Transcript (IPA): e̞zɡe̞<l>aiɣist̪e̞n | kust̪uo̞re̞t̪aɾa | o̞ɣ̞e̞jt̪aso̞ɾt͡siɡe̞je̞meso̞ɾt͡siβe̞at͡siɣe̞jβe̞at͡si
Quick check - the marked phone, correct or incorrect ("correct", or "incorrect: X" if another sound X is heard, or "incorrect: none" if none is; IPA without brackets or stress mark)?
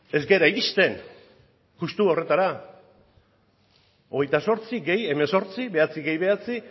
incorrect: ɾ